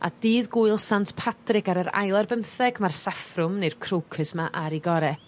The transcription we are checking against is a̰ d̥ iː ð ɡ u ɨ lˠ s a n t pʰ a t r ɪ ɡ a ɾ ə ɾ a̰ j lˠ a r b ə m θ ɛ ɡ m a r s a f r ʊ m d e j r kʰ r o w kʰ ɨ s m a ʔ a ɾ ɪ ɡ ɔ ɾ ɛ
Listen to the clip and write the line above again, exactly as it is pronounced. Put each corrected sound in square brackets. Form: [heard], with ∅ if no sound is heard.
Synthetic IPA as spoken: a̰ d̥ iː ð ɡ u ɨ lˠ s a n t pʰ a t r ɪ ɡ a ɾ ə ɾ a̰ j lˠ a r b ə m θ ɛ ɡ m a r s a f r ʊ m [n] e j r kʰ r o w kʰ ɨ s m a ʔ a ɾ [i] ɡ ɔ ɾ ɛ